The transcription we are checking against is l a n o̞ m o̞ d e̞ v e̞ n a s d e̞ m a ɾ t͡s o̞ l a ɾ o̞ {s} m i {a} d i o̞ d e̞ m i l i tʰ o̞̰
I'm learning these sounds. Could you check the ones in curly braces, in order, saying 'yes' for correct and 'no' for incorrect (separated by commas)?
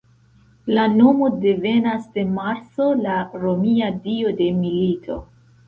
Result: no, yes